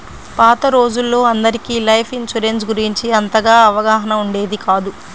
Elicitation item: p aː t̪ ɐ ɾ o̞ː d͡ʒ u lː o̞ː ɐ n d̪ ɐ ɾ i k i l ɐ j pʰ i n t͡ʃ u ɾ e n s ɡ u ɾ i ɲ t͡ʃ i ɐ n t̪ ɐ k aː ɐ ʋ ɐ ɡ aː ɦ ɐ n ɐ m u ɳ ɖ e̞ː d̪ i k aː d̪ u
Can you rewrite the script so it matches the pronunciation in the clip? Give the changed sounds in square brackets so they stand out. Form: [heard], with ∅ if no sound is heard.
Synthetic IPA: p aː t̪ ɐ ɾ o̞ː d͡ʒ u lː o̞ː ɐ n d̪ ɐ ɾ i k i l ɐ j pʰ i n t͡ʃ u ɾ e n s ɡ u ɾ i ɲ t͡ʃ i ɐ n t̪ ɐ [ɡ] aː ɐ ʋ ɐ ɡ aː ɦ ɐ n ɐ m u ɳ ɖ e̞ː d̪ i k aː d̪ u